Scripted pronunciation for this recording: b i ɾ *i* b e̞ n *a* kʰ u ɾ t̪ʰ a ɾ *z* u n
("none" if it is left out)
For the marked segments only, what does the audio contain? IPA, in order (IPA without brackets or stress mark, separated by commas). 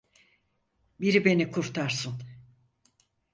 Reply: i, i, s